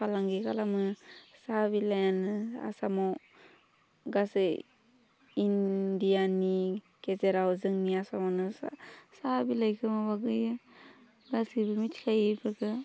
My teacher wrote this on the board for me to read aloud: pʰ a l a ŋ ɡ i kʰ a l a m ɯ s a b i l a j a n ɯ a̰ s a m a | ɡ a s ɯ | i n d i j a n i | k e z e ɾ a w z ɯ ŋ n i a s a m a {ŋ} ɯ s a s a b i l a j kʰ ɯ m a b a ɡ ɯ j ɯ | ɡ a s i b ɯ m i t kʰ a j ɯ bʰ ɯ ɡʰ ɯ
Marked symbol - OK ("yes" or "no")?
no